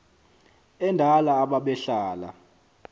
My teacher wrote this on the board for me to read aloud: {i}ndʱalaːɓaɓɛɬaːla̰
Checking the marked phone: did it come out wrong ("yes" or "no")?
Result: yes